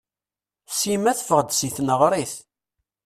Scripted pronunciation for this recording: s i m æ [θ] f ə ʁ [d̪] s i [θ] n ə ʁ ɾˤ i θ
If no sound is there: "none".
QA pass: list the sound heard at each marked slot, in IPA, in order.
θ, d̪, θ

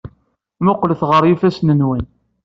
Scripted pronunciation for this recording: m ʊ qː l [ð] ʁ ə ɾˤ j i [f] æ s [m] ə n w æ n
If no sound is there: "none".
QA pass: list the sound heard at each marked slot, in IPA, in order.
θ, f, n

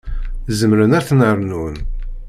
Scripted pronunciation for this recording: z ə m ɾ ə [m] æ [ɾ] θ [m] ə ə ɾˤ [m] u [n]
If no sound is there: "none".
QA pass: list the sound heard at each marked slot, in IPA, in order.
n, ɾ, n, n, n

